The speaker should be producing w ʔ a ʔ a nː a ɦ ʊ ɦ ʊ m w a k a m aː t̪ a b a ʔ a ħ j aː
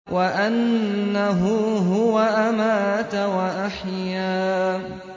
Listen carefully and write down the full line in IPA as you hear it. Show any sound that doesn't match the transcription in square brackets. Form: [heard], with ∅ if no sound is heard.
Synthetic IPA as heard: w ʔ a ʔ a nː a ɦ ʊ ɦ ʊ [∅] w a [ʔ] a m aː t̪ a [w] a ʔ a ħ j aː